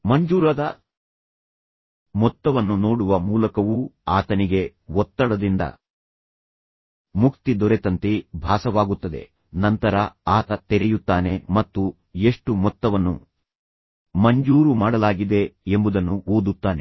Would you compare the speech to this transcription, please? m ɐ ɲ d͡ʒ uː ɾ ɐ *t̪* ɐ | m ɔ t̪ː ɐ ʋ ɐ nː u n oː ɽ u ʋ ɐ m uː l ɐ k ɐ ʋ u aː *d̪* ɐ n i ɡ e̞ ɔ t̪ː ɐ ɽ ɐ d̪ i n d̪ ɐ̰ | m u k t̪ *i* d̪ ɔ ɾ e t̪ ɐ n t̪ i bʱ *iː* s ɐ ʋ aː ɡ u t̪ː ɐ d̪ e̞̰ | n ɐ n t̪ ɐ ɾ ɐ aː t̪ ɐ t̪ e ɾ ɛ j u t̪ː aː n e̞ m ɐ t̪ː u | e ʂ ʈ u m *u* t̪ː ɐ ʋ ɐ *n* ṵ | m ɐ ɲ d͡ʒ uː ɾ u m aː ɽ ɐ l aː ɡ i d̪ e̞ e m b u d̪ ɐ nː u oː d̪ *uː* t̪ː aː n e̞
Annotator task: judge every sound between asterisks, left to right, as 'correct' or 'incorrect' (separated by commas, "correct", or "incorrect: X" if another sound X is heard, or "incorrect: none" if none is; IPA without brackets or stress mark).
incorrect: d̪, incorrect: t̪, correct, incorrect: aː, incorrect: ɔ, incorrect: nː, incorrect: u